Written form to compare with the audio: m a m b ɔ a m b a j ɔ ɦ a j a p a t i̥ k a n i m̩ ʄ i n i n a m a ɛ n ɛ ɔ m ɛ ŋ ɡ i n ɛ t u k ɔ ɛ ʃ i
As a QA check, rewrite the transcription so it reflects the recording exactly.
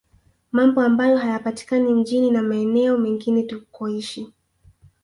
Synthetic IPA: m a m b ɔ a m b a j ɔ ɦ a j a p a t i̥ k a n i m̩ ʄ i n i n a m a ɛ n ɛ ɔ m ɛ ŋ ɡ i n ɛ t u k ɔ i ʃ i